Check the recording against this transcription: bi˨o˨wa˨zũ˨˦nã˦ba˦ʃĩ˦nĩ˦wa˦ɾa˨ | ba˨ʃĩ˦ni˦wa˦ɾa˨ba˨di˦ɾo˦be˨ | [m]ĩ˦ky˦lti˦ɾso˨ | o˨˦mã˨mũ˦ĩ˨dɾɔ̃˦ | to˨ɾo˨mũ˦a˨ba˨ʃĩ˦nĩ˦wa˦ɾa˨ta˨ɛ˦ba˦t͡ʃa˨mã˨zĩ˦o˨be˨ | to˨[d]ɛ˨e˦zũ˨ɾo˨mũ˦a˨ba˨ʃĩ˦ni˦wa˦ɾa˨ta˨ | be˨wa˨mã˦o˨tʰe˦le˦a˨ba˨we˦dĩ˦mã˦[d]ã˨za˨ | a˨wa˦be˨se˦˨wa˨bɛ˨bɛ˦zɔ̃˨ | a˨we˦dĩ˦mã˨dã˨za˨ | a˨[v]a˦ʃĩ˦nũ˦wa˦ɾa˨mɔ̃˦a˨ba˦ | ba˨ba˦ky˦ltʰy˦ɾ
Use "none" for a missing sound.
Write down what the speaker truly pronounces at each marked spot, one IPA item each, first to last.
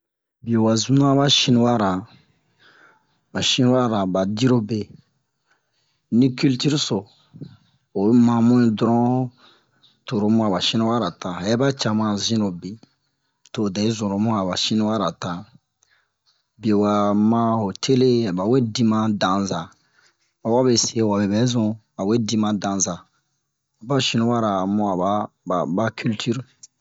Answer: n, d, d, b

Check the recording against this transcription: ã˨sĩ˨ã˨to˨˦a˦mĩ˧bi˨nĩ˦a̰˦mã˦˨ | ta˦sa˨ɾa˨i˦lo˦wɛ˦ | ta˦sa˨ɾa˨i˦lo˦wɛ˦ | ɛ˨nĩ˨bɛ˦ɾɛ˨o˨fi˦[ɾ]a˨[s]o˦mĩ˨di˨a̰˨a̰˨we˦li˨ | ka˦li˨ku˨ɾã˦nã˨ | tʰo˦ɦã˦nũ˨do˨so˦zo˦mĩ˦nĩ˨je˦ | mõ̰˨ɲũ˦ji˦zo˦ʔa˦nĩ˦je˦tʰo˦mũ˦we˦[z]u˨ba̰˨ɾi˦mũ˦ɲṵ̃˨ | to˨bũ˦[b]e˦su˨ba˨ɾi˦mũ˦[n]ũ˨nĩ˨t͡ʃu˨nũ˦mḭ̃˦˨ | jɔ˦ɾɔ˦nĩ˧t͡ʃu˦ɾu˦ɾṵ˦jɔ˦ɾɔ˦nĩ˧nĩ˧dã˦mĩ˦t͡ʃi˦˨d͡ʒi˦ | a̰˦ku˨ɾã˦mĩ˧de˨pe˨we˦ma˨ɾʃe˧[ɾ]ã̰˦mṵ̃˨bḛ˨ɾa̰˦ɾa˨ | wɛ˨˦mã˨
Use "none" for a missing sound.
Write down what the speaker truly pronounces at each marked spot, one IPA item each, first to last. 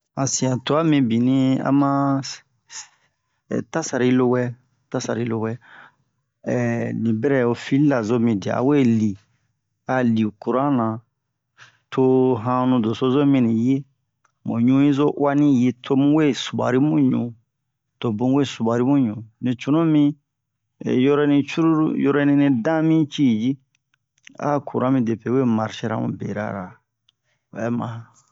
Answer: l, z, s, w, ɲ, ɾ

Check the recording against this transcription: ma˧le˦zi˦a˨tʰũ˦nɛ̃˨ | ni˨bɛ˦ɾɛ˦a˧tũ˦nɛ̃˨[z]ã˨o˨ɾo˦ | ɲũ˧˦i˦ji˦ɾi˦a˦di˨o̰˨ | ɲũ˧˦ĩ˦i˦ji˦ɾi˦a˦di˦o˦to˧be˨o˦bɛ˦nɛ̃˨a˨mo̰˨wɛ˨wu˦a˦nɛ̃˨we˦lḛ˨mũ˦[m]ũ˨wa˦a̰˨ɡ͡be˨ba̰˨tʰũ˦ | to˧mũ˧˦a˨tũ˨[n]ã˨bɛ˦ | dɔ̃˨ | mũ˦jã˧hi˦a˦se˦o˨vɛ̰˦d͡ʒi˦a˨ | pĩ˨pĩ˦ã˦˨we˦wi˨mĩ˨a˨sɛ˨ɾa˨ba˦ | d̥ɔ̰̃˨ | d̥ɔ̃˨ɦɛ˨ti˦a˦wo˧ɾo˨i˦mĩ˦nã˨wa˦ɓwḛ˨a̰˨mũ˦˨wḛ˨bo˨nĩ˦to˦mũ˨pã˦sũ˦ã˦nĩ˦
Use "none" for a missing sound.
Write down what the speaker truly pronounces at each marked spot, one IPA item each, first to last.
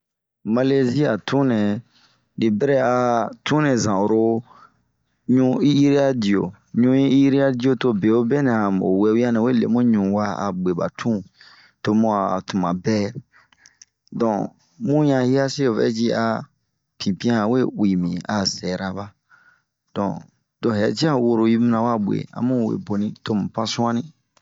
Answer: z, ɲ, m

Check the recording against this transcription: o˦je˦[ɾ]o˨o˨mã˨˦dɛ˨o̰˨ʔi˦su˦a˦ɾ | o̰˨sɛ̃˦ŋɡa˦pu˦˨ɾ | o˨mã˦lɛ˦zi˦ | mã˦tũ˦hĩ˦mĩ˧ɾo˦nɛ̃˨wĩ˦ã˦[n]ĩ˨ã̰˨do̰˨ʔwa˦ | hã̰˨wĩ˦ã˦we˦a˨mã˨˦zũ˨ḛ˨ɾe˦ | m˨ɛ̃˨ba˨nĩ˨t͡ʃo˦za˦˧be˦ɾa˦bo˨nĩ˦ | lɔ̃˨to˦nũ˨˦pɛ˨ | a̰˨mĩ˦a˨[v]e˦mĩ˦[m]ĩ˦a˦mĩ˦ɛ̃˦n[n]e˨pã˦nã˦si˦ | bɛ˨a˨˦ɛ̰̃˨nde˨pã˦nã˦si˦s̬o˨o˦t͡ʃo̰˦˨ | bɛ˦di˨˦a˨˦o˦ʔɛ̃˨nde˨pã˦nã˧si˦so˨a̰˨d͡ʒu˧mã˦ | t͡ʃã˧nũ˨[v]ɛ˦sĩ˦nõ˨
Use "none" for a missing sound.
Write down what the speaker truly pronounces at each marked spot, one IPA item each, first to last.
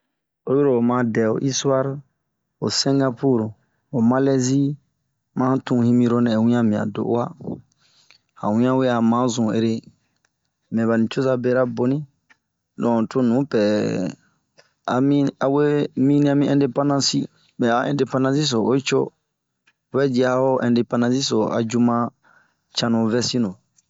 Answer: ɾ, m, w, n, d, v

